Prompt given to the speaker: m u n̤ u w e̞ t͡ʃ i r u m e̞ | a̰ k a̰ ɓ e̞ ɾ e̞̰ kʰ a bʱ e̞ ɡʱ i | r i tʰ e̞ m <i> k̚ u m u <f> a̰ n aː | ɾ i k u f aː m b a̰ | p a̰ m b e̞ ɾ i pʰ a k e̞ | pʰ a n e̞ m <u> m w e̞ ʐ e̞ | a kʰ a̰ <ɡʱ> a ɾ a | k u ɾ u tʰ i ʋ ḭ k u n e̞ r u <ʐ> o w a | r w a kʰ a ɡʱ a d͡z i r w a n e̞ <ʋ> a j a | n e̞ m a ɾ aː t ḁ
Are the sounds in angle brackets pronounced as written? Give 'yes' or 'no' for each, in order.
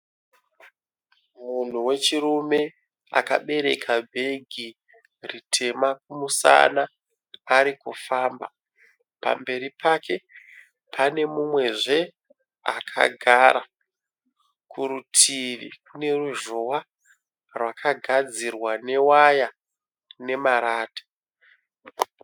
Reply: no, no, yes, yes, no, no

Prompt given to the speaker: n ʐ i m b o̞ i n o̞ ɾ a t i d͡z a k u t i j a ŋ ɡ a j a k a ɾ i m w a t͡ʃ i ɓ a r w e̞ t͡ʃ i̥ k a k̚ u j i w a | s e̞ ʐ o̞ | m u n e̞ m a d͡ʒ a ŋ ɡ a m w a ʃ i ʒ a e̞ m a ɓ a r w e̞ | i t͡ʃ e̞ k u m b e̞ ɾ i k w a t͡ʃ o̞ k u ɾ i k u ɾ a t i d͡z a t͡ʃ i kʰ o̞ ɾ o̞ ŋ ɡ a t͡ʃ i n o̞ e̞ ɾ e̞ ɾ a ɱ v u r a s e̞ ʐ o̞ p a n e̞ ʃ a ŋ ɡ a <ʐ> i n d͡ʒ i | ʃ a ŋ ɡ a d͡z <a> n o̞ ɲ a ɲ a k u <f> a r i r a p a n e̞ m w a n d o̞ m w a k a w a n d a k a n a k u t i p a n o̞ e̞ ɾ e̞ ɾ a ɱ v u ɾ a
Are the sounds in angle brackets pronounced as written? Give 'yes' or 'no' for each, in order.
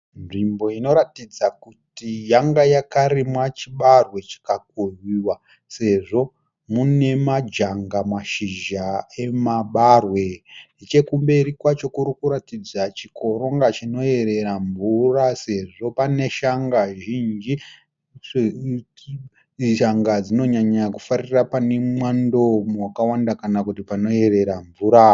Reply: no, no, yes

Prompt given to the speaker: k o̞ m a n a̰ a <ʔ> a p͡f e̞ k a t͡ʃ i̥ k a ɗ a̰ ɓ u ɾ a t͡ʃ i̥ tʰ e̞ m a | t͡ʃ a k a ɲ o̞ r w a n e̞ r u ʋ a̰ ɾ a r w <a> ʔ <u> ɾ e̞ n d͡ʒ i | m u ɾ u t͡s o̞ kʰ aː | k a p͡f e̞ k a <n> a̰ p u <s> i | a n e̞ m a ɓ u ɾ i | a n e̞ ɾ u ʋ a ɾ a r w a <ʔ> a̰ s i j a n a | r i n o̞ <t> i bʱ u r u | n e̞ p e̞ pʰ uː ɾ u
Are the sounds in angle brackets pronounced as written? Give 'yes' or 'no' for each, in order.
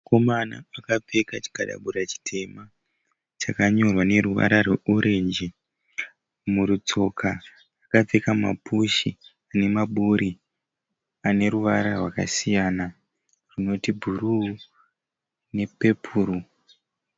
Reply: no, no, yes, no, no, no, yes

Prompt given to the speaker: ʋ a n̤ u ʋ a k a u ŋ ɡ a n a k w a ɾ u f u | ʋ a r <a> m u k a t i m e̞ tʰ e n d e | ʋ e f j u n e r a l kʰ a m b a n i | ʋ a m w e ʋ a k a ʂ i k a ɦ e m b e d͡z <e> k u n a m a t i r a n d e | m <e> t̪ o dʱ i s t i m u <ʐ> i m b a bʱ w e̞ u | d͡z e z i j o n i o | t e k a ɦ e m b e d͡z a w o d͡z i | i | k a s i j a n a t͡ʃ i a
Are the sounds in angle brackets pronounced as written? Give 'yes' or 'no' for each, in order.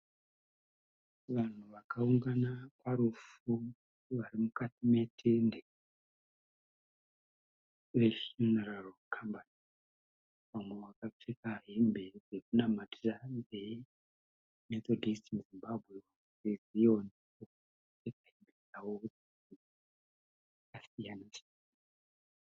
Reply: no, yes, yes, no

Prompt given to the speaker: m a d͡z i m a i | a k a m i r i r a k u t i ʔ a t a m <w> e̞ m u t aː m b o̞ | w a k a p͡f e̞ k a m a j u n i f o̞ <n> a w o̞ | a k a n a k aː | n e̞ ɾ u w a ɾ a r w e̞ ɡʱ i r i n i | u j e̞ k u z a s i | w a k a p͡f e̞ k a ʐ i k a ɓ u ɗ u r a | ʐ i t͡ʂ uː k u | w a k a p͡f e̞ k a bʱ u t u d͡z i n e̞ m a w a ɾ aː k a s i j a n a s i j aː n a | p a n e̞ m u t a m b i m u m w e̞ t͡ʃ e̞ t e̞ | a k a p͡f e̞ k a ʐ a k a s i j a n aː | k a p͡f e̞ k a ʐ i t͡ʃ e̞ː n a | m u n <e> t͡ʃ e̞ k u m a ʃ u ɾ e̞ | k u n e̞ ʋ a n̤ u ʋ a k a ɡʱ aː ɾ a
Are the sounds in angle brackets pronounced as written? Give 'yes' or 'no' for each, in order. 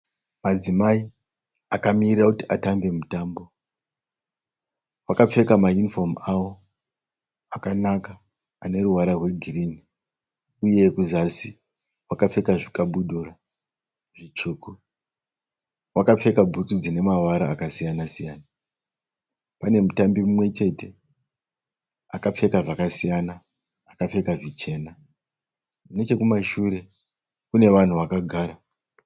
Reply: no, no, yes

